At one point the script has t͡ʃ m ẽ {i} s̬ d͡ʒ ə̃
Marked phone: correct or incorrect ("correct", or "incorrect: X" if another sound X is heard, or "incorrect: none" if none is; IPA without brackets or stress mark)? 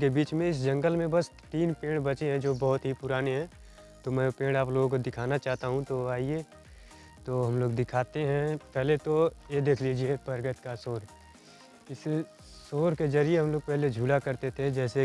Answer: incorrect: ɪ